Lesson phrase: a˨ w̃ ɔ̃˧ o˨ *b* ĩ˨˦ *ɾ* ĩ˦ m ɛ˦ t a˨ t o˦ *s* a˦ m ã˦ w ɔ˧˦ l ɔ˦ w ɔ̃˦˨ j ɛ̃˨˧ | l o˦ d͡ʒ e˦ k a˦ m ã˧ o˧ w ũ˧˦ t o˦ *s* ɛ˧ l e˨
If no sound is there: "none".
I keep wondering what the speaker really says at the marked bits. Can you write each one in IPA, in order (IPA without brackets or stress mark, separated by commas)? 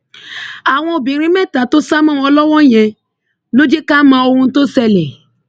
b, ɾ, s, s